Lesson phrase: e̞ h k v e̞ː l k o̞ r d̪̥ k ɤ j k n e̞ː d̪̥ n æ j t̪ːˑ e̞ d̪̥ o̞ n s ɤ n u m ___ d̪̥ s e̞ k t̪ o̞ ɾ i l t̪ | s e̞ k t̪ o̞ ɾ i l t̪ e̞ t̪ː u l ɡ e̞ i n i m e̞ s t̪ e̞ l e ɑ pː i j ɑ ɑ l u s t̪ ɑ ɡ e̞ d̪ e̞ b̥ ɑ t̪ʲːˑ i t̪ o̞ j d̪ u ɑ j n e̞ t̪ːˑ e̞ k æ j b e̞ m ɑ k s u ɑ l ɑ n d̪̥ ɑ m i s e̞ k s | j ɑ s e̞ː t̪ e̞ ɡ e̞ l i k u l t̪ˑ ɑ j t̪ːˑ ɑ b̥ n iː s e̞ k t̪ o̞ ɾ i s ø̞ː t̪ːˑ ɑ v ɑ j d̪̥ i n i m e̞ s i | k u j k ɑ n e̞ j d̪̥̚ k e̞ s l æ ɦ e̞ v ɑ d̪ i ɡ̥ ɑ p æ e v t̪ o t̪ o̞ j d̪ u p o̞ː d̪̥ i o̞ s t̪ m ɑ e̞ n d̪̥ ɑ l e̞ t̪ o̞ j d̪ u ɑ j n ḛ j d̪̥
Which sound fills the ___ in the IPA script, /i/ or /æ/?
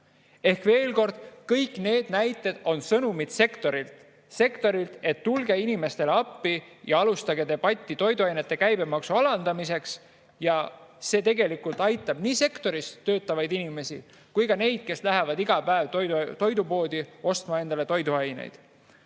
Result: i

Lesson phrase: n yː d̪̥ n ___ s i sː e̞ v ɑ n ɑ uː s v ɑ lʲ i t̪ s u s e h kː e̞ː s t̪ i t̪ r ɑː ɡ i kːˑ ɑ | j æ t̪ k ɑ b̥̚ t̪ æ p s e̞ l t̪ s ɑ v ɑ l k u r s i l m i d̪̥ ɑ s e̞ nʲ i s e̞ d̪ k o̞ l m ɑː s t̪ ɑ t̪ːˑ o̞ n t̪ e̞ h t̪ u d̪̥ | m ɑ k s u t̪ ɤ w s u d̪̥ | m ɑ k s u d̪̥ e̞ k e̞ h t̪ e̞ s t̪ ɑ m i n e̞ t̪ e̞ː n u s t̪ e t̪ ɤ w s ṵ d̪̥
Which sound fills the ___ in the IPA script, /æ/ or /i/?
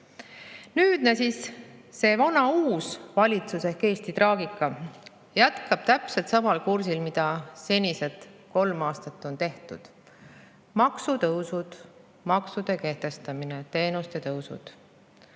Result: æ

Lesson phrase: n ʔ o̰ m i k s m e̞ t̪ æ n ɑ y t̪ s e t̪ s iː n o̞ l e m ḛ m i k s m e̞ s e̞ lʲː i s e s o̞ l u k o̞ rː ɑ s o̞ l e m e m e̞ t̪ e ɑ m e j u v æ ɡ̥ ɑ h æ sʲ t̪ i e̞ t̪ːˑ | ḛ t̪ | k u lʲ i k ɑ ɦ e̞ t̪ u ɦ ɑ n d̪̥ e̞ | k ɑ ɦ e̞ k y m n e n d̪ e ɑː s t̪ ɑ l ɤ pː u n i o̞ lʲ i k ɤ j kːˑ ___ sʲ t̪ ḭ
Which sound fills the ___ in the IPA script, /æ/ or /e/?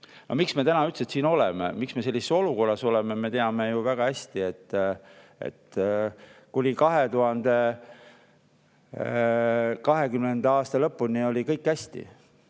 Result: æ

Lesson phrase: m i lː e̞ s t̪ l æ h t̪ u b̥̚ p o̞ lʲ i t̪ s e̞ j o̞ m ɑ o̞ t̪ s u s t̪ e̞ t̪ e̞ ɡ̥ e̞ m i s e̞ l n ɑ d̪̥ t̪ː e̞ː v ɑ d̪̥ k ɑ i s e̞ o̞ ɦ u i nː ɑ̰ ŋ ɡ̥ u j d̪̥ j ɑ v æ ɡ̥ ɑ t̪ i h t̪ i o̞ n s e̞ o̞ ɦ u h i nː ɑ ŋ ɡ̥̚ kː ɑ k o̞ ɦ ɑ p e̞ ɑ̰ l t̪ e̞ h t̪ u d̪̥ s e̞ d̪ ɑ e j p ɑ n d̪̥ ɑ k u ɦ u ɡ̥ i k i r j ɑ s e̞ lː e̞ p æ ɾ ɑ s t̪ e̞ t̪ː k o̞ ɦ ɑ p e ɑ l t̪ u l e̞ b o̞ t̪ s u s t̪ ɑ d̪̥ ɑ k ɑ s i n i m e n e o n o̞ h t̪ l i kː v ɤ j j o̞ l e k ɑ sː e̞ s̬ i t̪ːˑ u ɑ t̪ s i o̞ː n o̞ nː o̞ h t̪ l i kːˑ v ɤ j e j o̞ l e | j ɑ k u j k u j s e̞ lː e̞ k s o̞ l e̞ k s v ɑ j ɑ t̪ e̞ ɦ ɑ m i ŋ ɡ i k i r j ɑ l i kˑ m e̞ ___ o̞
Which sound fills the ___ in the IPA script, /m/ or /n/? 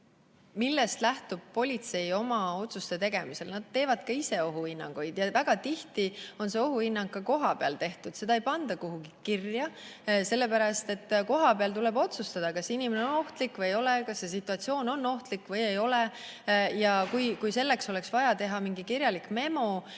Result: m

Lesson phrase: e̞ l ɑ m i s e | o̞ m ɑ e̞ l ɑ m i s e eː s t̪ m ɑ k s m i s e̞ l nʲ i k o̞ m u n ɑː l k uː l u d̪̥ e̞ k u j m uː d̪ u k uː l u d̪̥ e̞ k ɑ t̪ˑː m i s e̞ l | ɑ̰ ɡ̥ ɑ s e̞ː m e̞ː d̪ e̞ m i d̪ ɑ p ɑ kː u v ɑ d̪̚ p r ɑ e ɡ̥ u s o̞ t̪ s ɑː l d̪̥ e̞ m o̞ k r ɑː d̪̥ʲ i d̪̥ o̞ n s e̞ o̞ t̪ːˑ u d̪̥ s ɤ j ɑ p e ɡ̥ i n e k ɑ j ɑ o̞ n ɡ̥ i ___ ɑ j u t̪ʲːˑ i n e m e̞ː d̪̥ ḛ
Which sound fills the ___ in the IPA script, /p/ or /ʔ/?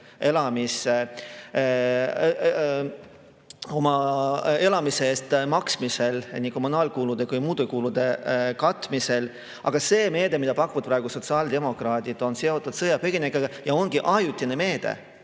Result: ʔ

